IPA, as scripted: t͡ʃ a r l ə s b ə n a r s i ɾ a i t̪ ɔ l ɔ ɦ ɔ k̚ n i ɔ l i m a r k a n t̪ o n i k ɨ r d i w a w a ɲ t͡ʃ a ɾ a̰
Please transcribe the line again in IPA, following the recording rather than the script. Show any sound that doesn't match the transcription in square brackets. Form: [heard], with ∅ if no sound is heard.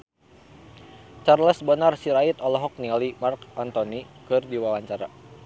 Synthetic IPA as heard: t͡ʃ a r l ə s b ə n a r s i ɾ a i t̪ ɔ l ɔ ɦ ɔ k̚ n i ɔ l i m a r k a n t̪ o n i k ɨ r d i w a w a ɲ t͡ʃ a ɾ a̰